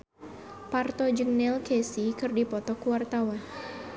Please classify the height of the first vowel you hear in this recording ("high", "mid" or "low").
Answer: low